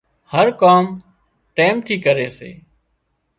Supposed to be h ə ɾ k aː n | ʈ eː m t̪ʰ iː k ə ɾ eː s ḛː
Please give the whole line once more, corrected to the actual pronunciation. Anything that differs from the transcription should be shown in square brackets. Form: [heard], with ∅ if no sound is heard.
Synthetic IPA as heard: h ə ɾ k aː [m] | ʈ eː m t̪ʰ iː k ə ɾ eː s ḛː